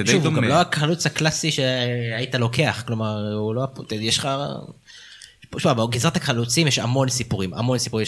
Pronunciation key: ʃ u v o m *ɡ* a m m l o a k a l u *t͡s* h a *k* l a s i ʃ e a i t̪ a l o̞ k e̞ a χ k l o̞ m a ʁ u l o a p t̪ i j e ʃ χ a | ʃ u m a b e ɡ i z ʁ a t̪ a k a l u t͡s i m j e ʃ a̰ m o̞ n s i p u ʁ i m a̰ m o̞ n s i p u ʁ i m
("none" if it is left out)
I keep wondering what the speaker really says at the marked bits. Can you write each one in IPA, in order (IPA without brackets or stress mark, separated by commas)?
ɡ, t͡s, k